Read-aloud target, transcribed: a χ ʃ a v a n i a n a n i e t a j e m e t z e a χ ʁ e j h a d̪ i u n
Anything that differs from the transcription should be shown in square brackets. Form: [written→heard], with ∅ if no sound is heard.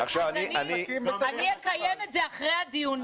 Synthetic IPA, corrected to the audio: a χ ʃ a v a n i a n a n i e [t→k] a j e m e t z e a χ ʁ e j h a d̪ i u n